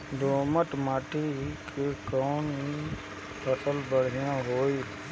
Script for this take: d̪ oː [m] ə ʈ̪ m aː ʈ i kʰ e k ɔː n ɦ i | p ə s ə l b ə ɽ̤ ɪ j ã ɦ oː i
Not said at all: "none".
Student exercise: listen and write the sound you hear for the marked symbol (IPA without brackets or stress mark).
m